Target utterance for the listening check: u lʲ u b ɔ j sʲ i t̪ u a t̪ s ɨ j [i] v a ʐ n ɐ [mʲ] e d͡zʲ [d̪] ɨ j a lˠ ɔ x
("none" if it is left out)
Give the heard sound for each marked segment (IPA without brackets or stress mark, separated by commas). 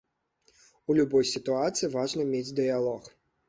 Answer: i, mʲ, d̪